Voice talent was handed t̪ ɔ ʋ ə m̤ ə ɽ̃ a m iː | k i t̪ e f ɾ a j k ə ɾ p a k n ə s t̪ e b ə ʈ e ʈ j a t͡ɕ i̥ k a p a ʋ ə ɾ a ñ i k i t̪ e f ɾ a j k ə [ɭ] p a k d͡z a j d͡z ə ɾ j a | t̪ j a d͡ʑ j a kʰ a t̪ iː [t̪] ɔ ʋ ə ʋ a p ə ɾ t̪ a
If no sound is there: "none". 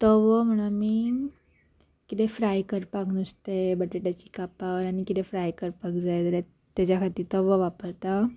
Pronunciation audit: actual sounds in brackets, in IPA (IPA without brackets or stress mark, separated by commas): ɾ, t̪